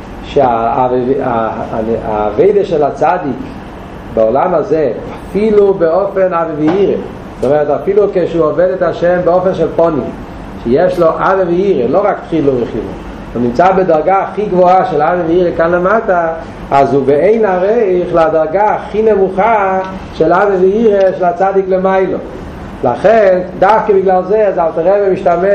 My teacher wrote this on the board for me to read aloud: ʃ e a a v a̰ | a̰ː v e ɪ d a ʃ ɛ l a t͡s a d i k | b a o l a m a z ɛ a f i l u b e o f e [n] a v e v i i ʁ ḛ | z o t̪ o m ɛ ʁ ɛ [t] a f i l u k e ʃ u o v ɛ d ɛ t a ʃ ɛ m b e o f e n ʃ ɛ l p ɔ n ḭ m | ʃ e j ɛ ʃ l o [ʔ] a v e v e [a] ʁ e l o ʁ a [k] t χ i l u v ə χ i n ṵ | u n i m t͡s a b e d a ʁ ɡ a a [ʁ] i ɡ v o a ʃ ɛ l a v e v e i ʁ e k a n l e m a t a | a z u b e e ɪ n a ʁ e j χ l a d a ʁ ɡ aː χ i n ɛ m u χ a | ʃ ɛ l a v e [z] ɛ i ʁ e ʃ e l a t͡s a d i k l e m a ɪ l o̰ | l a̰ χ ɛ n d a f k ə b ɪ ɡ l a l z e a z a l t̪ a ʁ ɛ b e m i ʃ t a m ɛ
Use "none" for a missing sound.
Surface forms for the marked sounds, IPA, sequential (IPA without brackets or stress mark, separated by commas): n, t, ʔ, i, k, χ, v